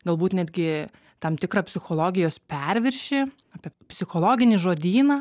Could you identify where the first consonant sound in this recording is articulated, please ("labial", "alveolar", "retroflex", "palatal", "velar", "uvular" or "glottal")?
velar